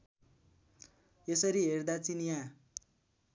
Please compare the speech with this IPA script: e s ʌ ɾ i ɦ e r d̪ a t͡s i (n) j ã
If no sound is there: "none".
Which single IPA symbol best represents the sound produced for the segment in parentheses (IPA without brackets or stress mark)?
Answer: n